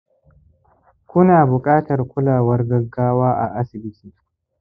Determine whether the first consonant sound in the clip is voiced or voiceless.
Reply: voiceless